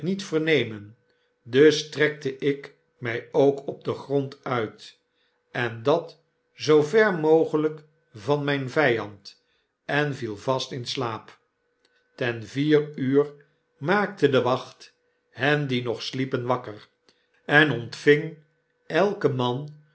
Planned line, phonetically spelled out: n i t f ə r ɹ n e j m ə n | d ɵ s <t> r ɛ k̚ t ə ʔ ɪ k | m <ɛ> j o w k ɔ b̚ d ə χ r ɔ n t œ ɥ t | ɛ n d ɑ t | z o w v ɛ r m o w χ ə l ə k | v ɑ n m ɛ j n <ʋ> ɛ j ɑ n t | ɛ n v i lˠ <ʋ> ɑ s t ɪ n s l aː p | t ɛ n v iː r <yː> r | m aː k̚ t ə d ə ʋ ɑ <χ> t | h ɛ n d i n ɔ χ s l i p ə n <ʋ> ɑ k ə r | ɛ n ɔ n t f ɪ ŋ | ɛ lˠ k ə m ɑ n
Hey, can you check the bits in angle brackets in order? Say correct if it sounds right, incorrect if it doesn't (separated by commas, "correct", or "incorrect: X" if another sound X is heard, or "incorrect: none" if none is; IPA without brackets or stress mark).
correct, correct, incorrect: v, incorrect: v, correct, correct, correct